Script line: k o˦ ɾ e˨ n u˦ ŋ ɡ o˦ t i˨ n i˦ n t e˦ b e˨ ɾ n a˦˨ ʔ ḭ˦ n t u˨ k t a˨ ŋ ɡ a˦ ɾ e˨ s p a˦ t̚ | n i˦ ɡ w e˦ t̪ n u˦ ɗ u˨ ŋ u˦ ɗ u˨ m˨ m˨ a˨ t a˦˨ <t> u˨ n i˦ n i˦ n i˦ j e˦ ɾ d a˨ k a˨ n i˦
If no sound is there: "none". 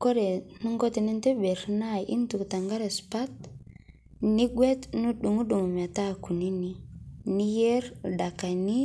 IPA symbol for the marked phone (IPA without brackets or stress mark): k